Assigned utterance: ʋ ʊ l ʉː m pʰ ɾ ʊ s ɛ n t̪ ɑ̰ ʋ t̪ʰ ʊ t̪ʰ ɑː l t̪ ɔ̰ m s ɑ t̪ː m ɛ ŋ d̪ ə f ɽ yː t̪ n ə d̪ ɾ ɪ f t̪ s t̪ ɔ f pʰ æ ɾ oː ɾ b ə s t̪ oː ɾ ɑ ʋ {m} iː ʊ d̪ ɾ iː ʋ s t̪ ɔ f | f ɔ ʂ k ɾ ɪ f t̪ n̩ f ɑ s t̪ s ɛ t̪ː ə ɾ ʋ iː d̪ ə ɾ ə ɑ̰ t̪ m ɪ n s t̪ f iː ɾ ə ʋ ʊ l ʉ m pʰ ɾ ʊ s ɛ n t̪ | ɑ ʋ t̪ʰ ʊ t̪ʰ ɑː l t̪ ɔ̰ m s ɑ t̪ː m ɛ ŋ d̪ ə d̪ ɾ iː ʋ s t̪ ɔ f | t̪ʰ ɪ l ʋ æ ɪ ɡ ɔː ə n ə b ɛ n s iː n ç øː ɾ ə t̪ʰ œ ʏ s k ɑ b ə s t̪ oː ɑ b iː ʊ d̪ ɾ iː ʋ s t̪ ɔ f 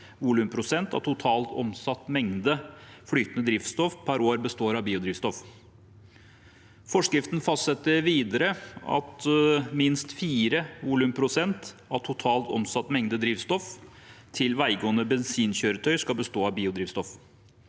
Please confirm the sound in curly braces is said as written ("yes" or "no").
no